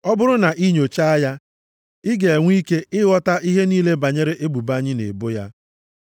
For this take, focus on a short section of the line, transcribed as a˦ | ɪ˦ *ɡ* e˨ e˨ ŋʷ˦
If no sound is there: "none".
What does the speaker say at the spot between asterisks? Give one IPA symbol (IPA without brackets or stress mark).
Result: ɡ